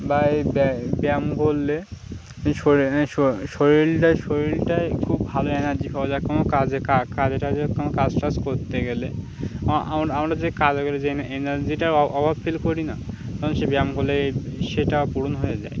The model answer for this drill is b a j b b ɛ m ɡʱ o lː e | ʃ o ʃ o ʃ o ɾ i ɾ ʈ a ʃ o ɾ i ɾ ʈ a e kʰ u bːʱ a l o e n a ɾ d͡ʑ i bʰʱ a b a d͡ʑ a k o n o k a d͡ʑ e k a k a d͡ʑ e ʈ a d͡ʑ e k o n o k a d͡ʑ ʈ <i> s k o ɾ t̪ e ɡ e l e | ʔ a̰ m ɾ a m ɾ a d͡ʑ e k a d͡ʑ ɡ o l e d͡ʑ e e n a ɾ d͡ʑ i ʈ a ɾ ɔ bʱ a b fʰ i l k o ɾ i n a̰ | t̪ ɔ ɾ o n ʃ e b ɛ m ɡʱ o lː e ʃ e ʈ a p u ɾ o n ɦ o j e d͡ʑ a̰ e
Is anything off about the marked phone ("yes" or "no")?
yes